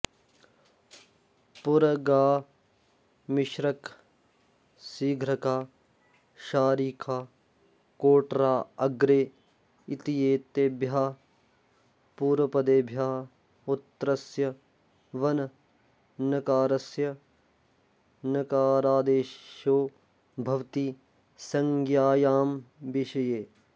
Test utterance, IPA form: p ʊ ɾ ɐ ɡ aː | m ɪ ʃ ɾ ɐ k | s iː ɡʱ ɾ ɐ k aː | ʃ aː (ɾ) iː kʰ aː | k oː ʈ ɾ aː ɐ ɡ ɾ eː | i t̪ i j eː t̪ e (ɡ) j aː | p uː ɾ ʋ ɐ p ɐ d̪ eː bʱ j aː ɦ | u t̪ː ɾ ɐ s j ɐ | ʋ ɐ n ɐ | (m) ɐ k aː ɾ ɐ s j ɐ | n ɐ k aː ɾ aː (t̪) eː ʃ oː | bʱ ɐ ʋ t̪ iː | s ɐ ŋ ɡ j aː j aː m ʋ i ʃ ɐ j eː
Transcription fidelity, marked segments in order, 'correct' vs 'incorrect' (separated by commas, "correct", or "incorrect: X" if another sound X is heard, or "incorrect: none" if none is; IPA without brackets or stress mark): correct, incorrect: b, incorrect: n, incorrect: d̪